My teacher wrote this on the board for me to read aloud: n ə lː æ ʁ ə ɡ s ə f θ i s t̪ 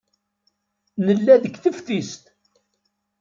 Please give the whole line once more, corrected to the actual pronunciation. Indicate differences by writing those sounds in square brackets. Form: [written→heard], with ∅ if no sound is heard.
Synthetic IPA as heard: n ə lː æ [ʁ→ð] ə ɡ [s→θ] ə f θ i s t̪